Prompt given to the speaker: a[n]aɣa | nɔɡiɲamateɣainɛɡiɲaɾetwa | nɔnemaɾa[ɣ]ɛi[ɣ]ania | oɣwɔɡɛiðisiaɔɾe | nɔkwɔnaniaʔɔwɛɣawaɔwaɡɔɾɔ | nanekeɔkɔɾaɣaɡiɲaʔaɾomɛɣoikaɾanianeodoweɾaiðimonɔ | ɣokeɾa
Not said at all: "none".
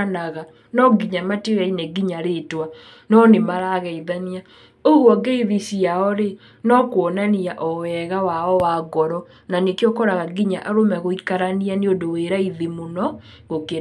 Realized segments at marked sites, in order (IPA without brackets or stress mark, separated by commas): n, ɣ, ð